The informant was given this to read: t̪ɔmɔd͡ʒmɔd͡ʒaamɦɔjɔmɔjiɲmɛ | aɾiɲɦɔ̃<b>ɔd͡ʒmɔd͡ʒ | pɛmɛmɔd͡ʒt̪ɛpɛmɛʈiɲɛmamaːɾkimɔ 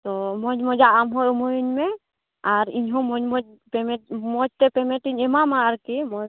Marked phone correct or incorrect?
incorrect